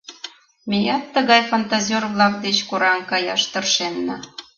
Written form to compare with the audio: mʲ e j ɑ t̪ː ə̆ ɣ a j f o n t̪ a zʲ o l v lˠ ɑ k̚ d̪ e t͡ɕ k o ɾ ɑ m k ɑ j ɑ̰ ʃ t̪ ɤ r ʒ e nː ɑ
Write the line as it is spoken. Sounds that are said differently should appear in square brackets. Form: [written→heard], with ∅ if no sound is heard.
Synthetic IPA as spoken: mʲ e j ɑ t̪ː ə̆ ɣ [a→ɑ] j f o n t̪ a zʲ o [l→r] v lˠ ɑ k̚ d̪ e t͡ɕ k o ɾ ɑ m k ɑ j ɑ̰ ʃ t̪ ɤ r [ʒ→ʃ] e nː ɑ

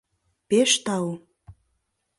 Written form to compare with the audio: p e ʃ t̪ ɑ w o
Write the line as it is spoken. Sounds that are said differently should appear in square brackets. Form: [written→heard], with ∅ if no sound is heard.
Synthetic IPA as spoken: p e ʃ t̪ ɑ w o

